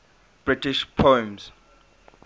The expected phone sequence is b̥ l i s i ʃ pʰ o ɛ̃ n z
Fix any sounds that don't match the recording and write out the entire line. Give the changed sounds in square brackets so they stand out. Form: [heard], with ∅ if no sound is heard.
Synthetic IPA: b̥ [ɹ] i [t] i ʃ pʰ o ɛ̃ [m] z